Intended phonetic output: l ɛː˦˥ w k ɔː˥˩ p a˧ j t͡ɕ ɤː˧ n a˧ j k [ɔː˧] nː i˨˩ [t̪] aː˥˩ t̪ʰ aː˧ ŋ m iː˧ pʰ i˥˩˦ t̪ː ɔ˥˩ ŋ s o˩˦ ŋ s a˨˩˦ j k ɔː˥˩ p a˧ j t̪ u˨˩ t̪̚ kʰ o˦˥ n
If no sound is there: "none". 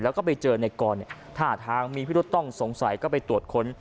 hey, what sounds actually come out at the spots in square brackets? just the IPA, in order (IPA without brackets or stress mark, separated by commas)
ɔː˧, t̪ʰ